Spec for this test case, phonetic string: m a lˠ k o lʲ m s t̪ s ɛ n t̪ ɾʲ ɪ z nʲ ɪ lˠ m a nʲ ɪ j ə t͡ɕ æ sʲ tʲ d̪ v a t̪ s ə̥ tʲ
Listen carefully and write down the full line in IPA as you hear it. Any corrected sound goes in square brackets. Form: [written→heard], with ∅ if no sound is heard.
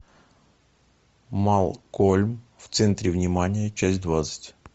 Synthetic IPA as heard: m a lˠ k o lʲ m [s→f] t̪ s ɛ n t̪ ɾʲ ɪ [z→v] nʲ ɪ [lˠ→∅] m a nʲ ɪ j ə t͡ɕ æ sʲ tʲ d̪ v a t̪ s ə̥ tʲ